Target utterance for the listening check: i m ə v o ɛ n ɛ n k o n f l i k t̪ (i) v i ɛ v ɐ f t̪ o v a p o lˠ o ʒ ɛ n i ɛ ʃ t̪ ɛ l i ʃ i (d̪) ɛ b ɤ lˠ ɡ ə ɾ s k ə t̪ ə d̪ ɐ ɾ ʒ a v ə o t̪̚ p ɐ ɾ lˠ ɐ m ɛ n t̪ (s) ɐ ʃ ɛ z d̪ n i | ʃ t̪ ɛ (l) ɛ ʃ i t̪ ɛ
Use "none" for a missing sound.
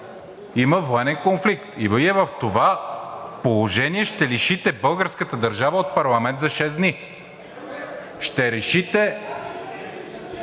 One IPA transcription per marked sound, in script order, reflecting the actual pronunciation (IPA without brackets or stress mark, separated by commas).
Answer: i, t̪, z, ɾ